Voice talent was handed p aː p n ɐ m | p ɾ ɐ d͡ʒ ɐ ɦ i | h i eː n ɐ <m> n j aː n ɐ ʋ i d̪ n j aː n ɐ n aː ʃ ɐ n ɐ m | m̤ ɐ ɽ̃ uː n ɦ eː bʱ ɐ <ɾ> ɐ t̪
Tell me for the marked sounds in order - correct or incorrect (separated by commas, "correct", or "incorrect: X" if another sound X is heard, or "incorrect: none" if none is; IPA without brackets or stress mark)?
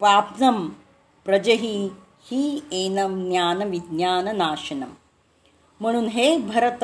correct, correct